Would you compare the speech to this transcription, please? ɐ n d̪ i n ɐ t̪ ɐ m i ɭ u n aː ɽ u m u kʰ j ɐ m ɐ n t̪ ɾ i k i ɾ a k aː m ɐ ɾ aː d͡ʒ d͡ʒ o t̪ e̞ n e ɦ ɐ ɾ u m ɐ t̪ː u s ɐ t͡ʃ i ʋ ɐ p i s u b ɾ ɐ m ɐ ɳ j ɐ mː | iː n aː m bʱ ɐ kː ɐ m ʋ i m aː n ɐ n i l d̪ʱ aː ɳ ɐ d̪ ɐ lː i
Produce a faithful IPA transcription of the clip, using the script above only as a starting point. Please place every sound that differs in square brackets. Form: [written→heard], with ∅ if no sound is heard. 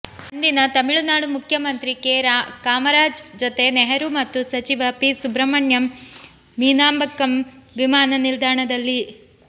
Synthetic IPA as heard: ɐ n d̪ i n ɐ t̪ ɐ m i ɭ u n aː ɽ u m u kʰ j ɐ m ɐ n t̪ ɾ i k [i→e] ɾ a k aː m ɐ ɾ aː d͡ʒ d͡ʒ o t̪ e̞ n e ɦ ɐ ɾ u m ɐ t̪ː u s ɐ t͡ʃ i ʋ ɐ p i s u b ɾ ɐ m ɐ ɳ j ɐ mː | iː n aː m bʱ ɐ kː ɐ m ʋ i m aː n ɐ n i l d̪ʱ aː ɳ ɐ d̪ ɐ lː i